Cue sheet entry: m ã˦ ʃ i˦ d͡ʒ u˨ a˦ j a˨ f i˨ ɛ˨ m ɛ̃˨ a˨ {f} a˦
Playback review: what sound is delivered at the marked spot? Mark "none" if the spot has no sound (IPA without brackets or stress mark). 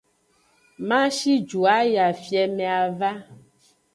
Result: v